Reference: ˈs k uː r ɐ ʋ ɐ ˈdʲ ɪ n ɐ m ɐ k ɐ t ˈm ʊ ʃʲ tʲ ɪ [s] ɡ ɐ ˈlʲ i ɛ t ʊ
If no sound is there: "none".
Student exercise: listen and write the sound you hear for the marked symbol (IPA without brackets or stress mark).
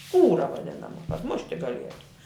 none